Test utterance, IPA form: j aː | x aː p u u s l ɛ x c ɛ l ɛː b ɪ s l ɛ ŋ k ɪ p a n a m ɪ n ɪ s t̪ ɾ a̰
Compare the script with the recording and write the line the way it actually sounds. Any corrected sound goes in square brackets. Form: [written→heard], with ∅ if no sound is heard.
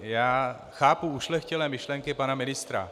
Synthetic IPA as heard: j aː | x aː p u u [s→ʃ] l ɛ x c ɛ l ɛː [b→m] ɪ [s→ʃ] l ɛ ŋ k ɪ p a n a m ɪ n ɪ s t̪ ɾ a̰